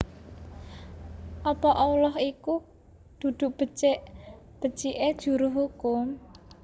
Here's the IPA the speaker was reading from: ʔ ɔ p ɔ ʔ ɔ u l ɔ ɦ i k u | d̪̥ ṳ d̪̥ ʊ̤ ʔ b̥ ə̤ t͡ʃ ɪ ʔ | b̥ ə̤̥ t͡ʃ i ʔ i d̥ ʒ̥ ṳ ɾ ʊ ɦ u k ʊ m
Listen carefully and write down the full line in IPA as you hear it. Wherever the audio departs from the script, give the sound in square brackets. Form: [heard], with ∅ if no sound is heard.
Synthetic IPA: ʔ ɔ p ɔ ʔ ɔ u l ɔ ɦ i k u | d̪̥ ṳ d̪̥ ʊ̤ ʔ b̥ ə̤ t͡ʃ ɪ ʔ | b̥ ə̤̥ t͡ʃ i ʔ [e] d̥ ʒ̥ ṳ ɾ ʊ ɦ u k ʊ m